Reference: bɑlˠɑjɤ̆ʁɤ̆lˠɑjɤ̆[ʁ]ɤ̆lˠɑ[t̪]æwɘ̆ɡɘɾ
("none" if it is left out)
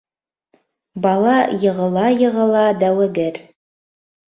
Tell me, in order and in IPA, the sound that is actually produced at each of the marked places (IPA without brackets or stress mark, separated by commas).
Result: ʁ, d̪